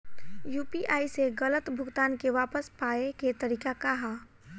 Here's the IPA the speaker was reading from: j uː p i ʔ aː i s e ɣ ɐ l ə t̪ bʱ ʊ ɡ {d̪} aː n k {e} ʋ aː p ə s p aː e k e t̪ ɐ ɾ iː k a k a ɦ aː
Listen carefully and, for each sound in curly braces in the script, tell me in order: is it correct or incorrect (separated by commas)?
incorrect, correct